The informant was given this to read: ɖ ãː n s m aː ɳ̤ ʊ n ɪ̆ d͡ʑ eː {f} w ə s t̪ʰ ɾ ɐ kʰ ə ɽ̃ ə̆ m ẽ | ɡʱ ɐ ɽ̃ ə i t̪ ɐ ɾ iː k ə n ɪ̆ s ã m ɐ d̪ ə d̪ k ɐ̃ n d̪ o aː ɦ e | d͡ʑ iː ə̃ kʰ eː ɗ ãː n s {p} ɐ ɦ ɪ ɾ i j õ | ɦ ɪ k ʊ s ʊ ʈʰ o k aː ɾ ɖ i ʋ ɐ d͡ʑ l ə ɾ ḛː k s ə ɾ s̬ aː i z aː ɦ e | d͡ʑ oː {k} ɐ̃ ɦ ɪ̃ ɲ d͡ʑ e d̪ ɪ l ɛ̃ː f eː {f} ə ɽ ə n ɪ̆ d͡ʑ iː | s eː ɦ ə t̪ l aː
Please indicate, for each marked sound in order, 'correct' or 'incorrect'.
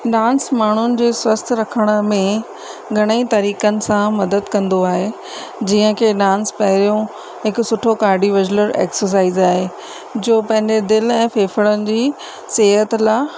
incorrect: s, correct, incorrect: p, correct

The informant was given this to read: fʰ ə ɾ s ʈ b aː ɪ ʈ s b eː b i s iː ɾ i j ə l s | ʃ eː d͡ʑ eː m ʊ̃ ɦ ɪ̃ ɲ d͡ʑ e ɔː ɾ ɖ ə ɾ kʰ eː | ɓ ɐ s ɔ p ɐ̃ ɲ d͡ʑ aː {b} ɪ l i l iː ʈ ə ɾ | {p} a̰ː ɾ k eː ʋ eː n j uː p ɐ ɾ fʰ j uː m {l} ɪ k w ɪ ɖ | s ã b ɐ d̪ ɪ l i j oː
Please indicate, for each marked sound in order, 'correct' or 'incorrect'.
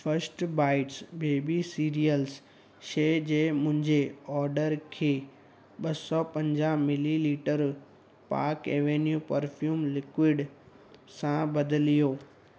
incorrect: m, correct, correct

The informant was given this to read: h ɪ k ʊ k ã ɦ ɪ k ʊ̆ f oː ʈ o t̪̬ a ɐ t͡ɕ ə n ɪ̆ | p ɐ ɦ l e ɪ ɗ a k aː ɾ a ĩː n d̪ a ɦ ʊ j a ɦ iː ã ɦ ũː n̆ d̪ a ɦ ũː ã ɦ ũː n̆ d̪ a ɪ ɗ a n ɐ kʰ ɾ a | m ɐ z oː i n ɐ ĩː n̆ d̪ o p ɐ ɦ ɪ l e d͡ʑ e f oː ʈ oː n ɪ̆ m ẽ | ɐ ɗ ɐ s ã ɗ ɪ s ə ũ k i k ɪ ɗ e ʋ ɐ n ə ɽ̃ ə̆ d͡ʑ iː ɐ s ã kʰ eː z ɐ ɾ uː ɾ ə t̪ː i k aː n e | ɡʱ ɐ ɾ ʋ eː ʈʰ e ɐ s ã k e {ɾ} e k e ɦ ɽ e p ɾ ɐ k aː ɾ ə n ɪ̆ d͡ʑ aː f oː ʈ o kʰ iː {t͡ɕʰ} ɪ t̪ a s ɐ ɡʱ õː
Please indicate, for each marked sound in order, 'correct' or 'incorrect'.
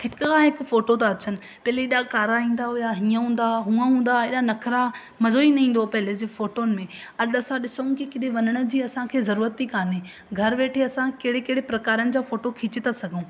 incorrect: ɽ, incorrect: t͡ɕ

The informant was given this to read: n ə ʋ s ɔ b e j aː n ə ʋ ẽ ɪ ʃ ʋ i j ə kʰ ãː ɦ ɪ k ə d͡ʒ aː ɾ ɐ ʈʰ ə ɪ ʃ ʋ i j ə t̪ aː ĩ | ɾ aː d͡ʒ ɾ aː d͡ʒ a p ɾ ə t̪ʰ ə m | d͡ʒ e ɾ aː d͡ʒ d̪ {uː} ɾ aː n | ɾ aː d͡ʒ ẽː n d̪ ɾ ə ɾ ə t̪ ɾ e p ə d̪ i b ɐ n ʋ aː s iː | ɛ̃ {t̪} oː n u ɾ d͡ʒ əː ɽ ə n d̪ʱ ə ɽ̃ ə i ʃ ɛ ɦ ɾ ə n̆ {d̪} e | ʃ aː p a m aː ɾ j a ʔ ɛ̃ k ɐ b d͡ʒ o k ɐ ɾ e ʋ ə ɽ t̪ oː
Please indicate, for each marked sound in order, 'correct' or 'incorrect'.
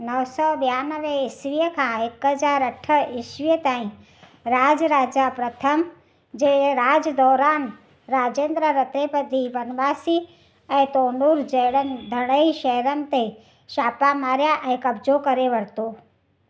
incorrect: ɔː, correct, incorrect: t̪

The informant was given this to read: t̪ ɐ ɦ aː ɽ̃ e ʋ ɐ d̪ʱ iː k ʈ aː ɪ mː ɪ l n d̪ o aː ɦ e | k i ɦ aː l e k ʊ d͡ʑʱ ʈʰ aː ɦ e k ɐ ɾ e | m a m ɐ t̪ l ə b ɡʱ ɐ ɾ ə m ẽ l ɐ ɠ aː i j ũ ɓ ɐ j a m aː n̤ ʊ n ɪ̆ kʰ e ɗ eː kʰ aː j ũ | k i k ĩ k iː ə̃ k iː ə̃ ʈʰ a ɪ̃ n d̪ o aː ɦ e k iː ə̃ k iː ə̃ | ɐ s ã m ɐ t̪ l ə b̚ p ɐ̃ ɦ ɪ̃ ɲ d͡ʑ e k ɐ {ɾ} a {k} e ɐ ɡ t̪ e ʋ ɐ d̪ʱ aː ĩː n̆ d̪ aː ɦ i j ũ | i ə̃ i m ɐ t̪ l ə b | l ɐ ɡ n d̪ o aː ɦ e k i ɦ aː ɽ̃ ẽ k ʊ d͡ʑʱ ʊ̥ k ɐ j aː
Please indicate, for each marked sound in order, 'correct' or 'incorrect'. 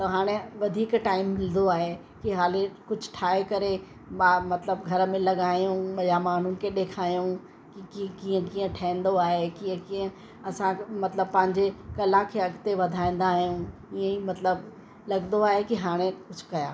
incorrect: l, incorrect: kʰ

